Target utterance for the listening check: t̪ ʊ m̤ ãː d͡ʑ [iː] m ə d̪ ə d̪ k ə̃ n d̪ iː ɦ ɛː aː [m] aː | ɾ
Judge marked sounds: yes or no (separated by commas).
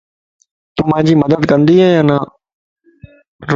yes, no